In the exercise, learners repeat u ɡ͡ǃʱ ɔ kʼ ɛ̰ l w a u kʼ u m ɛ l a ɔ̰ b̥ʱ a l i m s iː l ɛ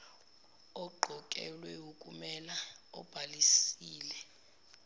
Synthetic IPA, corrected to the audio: ɔ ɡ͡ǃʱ ɔ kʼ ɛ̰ l w ɛ u kʼ u m ɛ l a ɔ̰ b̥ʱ a l i s iː l ɛ